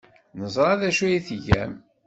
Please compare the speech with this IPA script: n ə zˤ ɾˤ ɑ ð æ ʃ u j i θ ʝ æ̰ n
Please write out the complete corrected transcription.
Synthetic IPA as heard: n ə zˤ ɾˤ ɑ ð æ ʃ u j i θ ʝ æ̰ m